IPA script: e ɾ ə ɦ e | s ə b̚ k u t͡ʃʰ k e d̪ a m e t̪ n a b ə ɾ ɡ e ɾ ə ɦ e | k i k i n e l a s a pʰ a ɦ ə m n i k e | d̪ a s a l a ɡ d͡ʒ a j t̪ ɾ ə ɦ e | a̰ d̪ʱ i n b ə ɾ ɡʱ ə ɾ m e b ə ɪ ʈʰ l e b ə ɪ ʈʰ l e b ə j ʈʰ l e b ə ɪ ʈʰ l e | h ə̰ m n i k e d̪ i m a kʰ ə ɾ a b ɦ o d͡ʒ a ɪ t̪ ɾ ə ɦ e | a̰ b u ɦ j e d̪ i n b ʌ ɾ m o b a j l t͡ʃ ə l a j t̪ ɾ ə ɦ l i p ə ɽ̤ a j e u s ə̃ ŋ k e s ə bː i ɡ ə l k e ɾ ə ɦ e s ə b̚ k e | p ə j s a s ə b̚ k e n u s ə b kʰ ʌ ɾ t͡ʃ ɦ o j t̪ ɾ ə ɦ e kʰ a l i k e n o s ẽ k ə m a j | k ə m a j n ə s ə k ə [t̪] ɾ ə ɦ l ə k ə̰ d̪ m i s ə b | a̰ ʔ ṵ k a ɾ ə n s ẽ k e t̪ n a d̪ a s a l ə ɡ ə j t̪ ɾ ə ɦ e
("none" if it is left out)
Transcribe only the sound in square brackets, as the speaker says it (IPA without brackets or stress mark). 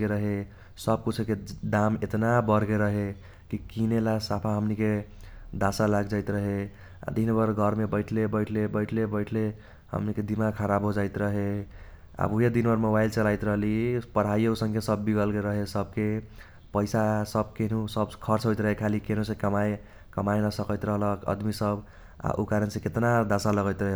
t̪